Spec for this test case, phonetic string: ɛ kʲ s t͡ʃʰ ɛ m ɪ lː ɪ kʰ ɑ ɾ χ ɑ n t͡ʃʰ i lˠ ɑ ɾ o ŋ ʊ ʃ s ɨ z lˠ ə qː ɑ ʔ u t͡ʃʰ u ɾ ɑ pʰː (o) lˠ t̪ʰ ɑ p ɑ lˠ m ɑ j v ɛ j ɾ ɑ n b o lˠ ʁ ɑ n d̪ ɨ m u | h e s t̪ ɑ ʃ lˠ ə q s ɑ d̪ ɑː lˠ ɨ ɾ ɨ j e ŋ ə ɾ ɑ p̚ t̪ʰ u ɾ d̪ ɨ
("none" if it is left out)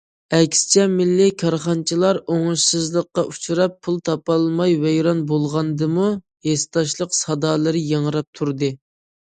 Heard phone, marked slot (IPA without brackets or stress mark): u